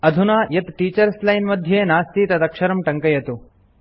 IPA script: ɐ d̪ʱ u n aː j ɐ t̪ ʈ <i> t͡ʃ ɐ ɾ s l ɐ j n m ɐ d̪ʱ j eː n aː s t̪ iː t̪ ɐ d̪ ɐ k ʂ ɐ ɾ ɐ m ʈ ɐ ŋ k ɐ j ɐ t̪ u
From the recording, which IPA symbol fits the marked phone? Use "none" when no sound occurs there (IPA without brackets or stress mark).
iː